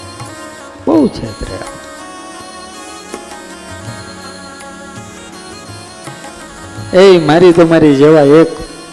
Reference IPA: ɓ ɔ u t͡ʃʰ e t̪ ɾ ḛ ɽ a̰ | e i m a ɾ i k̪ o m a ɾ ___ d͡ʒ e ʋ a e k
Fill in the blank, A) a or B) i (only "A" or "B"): B